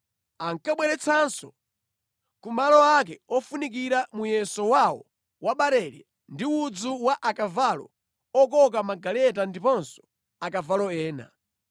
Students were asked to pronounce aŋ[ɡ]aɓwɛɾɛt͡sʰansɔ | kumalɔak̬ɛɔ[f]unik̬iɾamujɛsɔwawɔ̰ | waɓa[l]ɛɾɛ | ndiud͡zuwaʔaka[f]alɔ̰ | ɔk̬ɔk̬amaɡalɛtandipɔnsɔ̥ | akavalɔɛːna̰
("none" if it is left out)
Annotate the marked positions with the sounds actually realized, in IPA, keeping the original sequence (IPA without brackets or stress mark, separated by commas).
k, f, ɾ, v